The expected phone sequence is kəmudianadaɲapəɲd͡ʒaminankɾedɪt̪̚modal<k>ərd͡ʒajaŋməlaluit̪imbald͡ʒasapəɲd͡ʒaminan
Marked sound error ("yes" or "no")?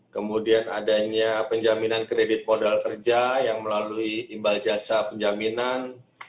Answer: no